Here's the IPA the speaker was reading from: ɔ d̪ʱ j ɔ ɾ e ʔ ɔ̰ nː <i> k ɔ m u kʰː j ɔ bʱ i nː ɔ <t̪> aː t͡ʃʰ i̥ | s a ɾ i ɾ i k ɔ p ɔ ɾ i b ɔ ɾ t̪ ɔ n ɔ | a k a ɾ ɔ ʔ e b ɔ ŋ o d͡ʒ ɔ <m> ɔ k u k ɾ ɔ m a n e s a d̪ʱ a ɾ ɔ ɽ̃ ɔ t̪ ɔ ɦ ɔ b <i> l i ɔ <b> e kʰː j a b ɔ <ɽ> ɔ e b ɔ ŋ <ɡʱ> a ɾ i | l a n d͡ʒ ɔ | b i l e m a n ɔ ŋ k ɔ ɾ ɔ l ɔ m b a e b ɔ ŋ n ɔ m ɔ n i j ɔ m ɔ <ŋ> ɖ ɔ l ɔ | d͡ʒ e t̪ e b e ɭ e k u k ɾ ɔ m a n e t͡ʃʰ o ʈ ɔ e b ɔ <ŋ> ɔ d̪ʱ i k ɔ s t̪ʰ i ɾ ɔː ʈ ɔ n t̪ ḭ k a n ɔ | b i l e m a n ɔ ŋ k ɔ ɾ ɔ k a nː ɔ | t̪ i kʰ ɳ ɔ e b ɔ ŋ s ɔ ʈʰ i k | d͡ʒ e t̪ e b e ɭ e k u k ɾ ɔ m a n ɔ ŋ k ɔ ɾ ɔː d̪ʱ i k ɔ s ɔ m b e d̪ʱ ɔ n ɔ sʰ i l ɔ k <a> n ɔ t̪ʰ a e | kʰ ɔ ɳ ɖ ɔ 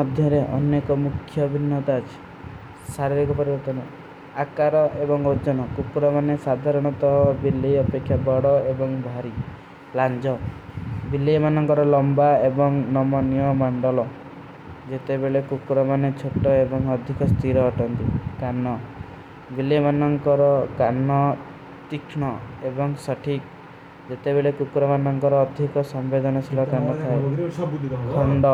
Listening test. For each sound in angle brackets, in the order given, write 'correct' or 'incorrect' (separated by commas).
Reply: incorrect, correct, incorrect, correct, incorrect, correct, incorrect, incorrect, correct, correct